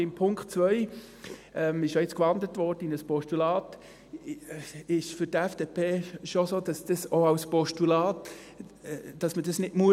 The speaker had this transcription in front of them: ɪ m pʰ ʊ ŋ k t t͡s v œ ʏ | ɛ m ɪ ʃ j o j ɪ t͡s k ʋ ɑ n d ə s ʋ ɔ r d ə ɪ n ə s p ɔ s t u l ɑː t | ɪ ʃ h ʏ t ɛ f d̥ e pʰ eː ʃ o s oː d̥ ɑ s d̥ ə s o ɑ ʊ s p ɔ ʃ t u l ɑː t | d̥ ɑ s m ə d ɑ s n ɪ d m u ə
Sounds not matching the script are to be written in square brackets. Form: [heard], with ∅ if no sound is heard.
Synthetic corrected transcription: ɪ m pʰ ʊ ŋ k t t͡s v œ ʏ | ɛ m ɪ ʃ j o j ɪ t͡s k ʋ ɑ n d ə [t] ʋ ɔ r d ə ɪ n ə s p ɔ [ʃ] t u l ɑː t | ɪ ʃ [f] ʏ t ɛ f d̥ e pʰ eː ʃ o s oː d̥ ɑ s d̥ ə s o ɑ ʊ s p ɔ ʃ t u l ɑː t | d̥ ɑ s m ə d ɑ s n ɪ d m u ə

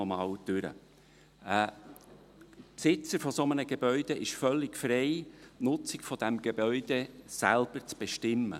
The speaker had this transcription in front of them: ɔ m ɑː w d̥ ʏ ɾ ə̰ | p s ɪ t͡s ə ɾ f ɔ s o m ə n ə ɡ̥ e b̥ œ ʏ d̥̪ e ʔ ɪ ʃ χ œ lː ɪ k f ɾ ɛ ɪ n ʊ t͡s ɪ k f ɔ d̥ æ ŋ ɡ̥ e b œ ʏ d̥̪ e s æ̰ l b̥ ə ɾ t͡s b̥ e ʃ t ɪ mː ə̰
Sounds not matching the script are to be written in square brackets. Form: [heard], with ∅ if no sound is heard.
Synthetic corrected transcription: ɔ m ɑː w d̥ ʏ ɾ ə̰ | p s ɪ t͡s ə ɾ f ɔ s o m ə n ə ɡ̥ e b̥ œ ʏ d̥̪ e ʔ ɪ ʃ [f] œ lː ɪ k f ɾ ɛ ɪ n ʊ t͡s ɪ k f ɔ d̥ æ [m] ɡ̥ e b œ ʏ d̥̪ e s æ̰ l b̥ ə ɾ t͡s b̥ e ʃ t ɪ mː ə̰

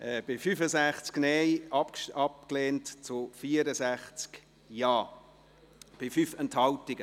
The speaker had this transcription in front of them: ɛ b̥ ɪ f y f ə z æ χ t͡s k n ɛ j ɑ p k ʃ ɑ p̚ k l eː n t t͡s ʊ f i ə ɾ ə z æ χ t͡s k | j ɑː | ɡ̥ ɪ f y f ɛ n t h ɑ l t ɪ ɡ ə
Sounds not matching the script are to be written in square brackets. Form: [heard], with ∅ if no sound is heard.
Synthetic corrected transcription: ɛ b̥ ɪ f y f ə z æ χ t͡s k n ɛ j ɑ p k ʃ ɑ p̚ k l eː n t t͡s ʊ f i ə ɾ ə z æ χ t͡s k | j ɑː | [b̥] ɪ f y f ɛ n t h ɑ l t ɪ ɡ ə

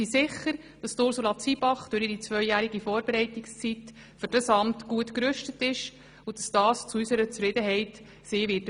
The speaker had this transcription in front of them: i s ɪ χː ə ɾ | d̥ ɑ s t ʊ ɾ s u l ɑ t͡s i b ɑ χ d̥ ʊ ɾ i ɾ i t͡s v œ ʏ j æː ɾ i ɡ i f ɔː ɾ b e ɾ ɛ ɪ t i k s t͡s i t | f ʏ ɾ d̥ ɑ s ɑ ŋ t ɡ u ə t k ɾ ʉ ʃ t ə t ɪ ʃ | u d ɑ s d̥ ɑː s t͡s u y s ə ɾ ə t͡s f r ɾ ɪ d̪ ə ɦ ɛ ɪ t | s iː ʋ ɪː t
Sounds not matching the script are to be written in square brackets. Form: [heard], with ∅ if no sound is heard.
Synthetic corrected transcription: i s ɪ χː ə ɾ | d̥ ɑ s t ʊ ɾ s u l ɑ t͡s i b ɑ χ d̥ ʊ ɾ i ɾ i t͡s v œ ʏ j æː ɾ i ɡ i f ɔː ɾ b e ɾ ɛ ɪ t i k s t͡s i t | f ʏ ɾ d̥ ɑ s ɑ [m] t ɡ u ə t k ɾ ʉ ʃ t ə t ɪ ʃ | u d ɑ s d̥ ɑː s t͡s u y s ə ɾ ə t͡s f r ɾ ɪ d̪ ə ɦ ɛ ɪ t | s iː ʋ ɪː t

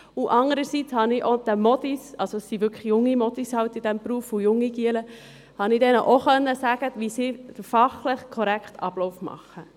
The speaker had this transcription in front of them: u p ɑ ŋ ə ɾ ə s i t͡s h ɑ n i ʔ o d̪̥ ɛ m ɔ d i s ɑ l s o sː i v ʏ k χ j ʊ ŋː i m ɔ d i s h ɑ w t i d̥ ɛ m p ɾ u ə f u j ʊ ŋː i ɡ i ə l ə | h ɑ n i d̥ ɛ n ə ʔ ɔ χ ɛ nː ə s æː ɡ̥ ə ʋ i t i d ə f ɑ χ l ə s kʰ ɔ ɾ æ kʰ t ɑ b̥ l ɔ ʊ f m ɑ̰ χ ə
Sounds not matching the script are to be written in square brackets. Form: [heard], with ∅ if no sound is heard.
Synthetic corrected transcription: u [ʔ] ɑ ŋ ə ɾ ə s i t͡s h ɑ n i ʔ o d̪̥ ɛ m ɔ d i s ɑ l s o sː i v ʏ k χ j ʊ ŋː i m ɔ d i s h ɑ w t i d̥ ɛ m p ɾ u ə f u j ʊ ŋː i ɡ i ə l ə | h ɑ n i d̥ ɛ n ə ʔ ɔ χ [œ] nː ə s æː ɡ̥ ə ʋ i [s] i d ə f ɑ χ l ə [χ] kʰ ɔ ɾ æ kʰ t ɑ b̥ l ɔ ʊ f m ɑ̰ χ ə

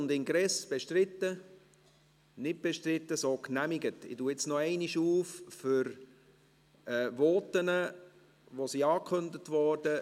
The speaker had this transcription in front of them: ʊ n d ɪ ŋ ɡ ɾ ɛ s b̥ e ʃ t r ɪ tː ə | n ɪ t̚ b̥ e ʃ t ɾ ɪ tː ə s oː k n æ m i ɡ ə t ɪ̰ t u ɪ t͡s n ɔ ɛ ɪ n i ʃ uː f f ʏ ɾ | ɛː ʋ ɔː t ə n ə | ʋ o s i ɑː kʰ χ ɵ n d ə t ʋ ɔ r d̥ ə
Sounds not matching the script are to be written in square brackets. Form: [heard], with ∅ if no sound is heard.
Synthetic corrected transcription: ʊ n d ɪ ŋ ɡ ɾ ɛ s b̥ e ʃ t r ɪ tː ə | n ɪ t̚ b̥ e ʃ t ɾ ɪ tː ə s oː k n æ m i ɡ ə t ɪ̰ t u ɪ t͡s n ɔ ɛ ɪ n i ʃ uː f f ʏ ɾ | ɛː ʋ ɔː t ə n ə | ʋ o s i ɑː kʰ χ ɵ n d ə t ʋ ɔ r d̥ ə

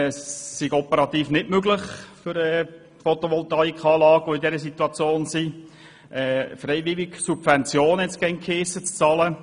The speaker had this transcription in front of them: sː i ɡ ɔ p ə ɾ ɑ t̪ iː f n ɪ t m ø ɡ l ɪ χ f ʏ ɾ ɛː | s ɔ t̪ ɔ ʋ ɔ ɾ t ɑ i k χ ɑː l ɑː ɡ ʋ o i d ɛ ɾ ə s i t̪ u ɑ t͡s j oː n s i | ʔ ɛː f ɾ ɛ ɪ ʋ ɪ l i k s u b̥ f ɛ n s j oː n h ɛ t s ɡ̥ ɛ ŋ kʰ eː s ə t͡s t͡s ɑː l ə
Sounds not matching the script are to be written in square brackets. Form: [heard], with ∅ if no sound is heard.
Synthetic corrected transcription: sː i ɡ ɔ p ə ɾ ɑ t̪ iː f n ɪ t m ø ɡ l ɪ χ f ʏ ɾ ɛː | [f] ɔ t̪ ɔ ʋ ɔ [l] t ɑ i k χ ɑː l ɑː ɡ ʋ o i d ɛ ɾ ə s i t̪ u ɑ t͡s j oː n s i | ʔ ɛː f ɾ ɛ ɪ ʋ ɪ l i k s u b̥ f ɛ n [t͡s] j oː n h ɛ t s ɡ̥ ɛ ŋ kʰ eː s ə t͡s t͡s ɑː l ə

